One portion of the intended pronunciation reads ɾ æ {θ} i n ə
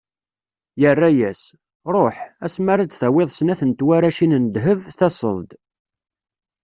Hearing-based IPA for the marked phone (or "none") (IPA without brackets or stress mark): ʃ